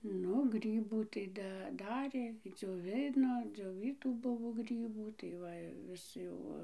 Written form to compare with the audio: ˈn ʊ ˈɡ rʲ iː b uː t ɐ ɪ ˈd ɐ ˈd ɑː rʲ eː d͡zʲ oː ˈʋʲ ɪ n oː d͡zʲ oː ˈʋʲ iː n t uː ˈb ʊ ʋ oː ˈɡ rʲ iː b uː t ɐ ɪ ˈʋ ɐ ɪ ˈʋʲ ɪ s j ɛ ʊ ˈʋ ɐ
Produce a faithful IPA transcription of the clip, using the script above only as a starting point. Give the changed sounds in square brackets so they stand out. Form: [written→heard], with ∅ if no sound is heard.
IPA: ˈn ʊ ˈɡ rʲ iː b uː t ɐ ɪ ˈd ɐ ˈd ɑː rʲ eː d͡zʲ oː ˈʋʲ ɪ n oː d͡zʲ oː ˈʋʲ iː [n→∅] t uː ˈb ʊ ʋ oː ˈɡ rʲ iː b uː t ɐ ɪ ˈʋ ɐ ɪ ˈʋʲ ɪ s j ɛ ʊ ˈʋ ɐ